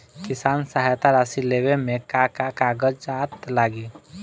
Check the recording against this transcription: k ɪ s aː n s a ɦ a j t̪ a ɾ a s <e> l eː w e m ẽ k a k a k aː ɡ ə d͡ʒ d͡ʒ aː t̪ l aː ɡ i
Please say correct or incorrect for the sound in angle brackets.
incorrect: i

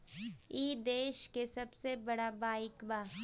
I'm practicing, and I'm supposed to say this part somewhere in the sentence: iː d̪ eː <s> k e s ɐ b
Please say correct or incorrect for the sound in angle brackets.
incorrect: ʃ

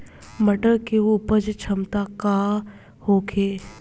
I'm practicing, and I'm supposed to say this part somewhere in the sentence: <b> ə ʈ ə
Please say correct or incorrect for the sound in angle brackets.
incorrect: m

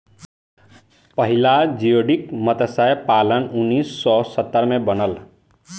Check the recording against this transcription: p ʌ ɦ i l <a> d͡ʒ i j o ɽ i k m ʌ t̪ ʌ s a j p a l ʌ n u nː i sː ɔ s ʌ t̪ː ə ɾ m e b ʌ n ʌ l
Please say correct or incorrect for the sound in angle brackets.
correct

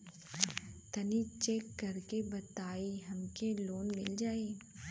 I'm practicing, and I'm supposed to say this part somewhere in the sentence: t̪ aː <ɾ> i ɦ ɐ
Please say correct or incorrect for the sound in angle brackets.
incorrect: none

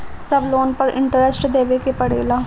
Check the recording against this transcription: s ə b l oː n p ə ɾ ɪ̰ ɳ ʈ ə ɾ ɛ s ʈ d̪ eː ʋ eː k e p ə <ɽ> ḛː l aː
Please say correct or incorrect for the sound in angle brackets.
correct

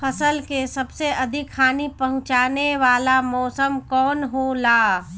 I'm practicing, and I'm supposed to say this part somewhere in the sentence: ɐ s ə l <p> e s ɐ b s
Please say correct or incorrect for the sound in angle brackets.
incorrect: k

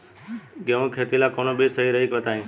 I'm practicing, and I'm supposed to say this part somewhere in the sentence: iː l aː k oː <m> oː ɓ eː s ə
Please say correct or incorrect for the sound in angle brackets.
incorrect: n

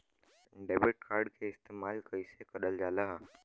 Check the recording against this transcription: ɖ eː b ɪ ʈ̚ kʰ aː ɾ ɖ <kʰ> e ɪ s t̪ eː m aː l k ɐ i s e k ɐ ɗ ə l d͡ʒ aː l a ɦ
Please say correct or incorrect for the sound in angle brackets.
correct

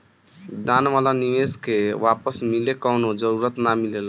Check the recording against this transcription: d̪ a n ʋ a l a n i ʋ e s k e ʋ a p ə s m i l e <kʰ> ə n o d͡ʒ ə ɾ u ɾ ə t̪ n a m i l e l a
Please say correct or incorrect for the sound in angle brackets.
incorrect: k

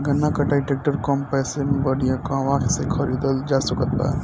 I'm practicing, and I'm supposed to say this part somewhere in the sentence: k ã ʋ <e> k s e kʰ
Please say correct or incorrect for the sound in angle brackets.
incorrect: a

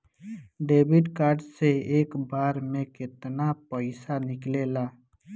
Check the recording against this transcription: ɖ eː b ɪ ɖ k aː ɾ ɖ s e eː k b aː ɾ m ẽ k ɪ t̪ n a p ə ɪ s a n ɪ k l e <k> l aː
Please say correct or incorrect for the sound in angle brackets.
incorrect: none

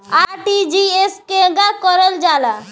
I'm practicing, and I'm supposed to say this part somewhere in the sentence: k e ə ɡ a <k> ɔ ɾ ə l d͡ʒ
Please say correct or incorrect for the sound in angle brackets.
correct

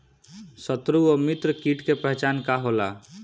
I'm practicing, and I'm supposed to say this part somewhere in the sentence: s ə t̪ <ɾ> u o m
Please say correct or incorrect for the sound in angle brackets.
correct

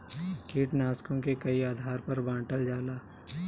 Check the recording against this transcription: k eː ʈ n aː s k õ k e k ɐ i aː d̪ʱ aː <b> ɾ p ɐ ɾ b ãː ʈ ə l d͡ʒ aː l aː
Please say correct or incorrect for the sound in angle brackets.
incorrect: none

